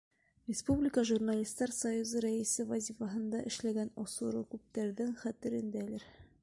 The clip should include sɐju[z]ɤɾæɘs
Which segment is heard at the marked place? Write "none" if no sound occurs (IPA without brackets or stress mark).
z